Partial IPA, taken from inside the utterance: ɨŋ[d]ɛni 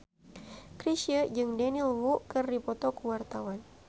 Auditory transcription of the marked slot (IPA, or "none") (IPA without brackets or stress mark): d